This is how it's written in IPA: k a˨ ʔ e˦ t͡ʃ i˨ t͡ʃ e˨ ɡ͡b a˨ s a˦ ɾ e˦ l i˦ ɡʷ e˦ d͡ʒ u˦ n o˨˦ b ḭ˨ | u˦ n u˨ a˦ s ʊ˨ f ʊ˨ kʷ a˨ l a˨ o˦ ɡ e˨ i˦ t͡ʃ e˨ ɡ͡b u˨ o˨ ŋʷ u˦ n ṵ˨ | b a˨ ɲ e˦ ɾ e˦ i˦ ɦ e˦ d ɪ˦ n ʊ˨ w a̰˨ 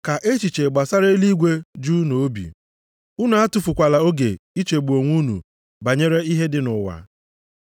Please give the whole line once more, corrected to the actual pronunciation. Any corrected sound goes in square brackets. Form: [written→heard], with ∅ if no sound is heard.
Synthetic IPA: k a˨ ʔ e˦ t͡ʃ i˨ t͡ʃ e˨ ɡ͡b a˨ s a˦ ɾ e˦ l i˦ ɡʷ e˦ d͡ʒ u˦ n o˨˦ b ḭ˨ | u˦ n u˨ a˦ [s→t] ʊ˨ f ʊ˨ kʷ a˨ l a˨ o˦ ɡ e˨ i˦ t͡ʃ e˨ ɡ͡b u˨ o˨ ŋʷ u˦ n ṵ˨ | b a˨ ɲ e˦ ɾ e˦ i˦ ɦ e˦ d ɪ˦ n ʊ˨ w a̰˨